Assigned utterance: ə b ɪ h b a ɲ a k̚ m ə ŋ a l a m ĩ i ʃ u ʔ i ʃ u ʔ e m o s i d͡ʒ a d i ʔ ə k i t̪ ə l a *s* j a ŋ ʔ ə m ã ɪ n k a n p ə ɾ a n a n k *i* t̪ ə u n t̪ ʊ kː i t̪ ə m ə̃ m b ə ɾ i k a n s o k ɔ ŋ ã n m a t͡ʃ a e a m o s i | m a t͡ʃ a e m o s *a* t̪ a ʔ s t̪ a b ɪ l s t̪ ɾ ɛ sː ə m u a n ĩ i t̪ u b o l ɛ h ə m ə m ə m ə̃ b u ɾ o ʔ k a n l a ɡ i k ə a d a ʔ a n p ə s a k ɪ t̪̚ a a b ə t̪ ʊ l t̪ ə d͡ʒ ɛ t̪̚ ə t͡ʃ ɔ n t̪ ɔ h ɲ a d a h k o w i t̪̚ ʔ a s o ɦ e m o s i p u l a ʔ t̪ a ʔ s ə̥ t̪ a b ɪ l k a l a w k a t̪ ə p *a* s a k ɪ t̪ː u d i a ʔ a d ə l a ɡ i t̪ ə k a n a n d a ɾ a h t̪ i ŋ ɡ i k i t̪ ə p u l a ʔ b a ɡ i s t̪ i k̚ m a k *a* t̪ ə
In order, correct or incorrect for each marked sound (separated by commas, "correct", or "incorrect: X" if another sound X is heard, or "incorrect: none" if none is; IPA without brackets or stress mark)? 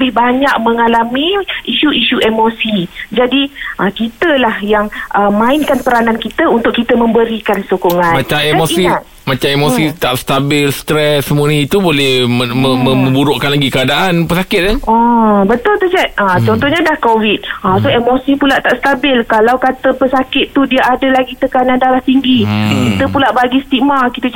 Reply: incorrect: h, correct, incorrect: i, incorrect: ə, incorrect: i